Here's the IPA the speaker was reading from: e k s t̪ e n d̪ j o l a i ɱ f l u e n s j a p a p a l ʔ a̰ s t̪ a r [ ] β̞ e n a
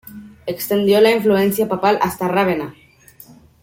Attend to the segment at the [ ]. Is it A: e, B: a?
B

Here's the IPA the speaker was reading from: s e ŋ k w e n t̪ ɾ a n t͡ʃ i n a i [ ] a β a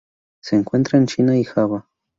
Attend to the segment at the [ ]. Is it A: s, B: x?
B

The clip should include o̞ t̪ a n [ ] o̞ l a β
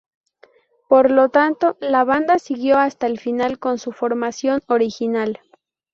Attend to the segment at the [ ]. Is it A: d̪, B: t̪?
B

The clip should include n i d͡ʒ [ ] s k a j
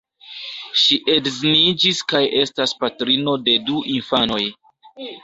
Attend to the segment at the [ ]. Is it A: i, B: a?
A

